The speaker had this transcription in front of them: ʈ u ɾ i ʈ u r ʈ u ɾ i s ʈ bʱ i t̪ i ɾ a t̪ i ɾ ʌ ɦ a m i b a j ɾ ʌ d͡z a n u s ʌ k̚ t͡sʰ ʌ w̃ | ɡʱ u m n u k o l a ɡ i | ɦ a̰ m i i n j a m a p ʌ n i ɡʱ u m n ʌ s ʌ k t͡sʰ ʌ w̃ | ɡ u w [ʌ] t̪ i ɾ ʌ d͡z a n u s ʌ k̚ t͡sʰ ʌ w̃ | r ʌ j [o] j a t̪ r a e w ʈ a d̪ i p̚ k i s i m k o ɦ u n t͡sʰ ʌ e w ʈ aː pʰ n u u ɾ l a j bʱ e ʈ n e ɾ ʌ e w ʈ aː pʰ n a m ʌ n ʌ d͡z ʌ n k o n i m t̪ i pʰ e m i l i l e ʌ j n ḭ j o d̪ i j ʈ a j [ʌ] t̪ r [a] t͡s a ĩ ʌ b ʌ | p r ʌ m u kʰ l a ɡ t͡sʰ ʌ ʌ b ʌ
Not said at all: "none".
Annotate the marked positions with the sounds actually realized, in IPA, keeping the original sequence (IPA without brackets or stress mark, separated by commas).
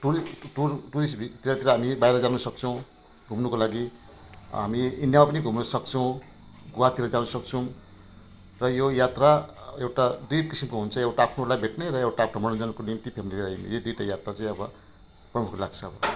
a, o, a, a